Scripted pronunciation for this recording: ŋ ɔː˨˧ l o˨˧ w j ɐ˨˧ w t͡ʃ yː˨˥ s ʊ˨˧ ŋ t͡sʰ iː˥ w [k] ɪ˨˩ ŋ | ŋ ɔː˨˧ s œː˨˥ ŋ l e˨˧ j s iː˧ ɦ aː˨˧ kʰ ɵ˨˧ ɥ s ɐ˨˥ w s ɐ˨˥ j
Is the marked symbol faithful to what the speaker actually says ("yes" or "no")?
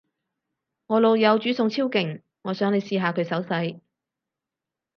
yes